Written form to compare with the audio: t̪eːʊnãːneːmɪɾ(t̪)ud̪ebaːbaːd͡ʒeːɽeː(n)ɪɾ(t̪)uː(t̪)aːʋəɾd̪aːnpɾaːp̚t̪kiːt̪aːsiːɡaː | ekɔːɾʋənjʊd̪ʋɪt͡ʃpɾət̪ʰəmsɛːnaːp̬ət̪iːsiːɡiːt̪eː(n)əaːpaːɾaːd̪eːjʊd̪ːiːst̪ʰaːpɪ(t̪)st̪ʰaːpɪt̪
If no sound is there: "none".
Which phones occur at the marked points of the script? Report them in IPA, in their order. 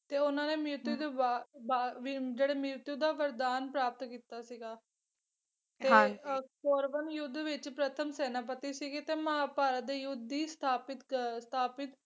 t̪, m, t̪, d̪, m, t̪

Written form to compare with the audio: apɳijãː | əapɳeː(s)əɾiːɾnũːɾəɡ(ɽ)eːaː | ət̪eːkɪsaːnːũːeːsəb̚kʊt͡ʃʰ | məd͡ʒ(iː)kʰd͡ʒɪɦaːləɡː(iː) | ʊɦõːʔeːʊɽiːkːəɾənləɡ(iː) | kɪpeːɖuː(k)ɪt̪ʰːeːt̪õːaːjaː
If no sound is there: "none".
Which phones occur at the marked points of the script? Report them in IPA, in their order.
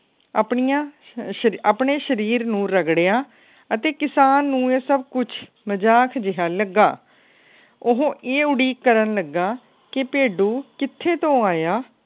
ʃ, ɽ, aː, aː, aː, k

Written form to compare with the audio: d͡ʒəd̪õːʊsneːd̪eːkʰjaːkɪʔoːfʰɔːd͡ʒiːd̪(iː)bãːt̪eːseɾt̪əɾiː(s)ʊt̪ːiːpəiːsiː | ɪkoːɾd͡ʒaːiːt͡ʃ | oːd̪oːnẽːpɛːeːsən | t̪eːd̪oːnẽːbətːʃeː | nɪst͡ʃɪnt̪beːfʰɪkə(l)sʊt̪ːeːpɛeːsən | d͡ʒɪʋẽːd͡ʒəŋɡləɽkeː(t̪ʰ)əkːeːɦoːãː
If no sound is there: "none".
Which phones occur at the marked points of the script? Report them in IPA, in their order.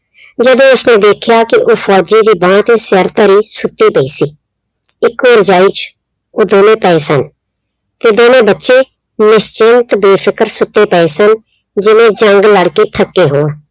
iː, s, ɾ, t̪ʰ

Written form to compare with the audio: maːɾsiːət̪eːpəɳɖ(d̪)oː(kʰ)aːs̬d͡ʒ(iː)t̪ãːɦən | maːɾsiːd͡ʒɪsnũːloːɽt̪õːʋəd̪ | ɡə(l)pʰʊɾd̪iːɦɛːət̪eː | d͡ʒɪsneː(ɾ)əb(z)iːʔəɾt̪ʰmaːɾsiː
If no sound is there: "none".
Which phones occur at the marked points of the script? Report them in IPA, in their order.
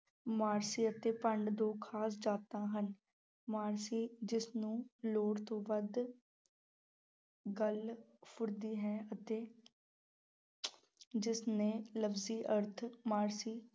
d̪, kʰ, aː, l, l, z

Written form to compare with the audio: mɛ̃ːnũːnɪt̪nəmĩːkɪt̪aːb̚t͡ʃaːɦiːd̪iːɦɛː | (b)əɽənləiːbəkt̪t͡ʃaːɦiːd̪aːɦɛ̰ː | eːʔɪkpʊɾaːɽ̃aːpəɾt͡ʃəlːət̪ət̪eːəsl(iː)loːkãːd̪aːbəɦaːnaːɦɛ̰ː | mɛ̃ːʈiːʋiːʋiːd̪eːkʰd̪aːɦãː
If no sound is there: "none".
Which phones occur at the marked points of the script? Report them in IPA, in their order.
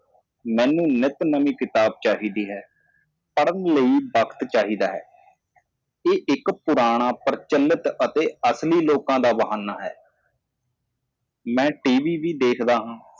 p, iː

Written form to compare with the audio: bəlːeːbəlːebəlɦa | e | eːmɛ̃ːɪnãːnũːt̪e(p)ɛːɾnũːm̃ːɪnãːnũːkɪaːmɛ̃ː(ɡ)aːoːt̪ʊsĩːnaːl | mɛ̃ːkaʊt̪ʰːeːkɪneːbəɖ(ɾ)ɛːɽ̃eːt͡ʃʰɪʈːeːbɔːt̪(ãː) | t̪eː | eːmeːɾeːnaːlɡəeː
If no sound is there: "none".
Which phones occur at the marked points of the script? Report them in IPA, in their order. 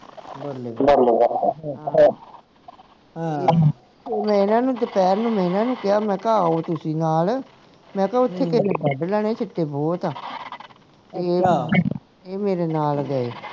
p, k, l, aː

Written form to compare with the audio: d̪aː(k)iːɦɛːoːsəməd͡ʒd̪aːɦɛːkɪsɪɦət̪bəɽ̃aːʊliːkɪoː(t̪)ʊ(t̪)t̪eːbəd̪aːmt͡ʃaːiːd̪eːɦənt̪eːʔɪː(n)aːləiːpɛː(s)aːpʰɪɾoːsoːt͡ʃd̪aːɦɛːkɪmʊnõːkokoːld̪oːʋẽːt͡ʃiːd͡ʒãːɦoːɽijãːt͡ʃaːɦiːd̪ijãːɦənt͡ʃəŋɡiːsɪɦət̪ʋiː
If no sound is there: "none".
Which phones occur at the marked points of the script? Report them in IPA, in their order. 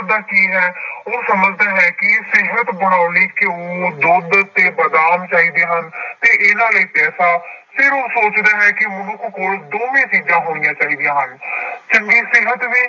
k, d̪, d̪, n, s

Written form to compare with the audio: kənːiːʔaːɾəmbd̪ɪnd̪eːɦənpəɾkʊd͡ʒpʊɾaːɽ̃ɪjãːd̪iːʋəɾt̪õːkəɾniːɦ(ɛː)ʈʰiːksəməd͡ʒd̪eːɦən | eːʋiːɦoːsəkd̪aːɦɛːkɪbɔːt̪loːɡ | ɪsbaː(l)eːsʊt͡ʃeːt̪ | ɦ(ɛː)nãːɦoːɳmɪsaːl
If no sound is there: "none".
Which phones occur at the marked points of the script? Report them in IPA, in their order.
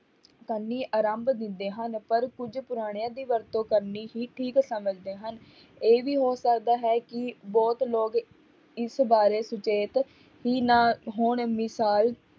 iː, ɾ, iː

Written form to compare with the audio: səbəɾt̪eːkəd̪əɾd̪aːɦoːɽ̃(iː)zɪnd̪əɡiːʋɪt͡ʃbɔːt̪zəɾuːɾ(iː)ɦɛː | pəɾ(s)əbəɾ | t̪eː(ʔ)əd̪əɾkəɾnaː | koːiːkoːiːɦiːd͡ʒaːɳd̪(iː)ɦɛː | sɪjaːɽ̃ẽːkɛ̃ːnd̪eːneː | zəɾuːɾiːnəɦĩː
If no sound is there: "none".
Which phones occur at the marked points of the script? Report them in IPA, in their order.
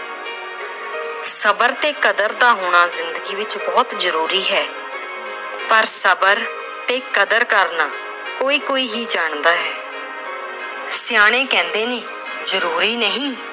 aː, iː, s, k, aː

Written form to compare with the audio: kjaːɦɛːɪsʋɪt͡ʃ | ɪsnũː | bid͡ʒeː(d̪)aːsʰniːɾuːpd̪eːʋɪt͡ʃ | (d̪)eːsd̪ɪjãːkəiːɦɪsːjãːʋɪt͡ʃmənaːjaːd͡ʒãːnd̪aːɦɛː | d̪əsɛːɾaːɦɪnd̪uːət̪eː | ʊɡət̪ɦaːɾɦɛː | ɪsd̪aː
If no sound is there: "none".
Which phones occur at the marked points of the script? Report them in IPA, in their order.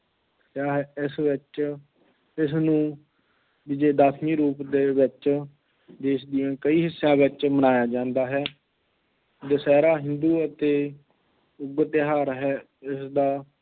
d̪, d̪

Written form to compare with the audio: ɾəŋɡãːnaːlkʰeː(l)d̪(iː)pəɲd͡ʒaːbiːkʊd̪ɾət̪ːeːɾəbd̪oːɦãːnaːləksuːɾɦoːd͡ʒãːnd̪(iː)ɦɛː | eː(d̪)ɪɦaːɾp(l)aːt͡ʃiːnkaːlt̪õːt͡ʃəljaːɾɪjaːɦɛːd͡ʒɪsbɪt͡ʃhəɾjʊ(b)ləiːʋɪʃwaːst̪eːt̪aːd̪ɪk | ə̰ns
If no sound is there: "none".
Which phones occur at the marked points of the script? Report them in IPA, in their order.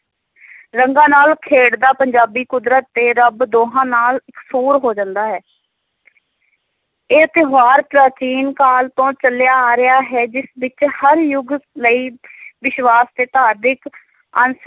ɽ, aː, aː, t̪, ɾ, ɡ

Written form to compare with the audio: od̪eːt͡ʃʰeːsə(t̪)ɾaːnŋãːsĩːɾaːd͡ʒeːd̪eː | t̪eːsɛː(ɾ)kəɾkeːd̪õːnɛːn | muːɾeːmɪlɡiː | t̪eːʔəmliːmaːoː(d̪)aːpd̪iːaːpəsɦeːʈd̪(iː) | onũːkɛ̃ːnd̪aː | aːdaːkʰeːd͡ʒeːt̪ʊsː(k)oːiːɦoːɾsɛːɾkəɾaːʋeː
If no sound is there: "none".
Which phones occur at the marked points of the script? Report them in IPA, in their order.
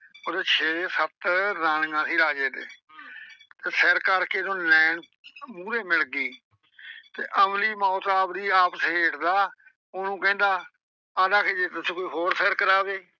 t̪, ɾ, t̪, aː, k

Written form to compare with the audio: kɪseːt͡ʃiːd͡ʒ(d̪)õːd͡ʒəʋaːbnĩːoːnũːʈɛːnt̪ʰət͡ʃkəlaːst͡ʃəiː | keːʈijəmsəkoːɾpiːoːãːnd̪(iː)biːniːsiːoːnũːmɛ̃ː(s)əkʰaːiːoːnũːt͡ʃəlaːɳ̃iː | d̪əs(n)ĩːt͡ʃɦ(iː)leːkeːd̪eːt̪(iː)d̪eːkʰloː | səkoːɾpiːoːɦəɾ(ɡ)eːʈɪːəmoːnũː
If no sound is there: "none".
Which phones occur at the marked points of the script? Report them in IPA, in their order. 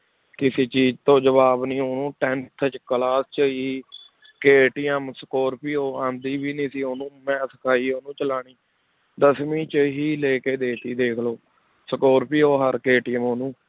t̪, iː, s, m, iː, iː, k

